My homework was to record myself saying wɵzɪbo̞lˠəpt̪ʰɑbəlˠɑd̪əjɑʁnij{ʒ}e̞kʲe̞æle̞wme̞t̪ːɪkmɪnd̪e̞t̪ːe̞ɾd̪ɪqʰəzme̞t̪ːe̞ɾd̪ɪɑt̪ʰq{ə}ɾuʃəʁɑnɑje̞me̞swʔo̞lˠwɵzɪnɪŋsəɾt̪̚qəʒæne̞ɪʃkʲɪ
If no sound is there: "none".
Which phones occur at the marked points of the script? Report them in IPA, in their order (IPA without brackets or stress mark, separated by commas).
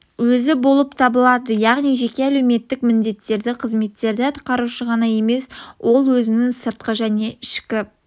ʒ, ɑ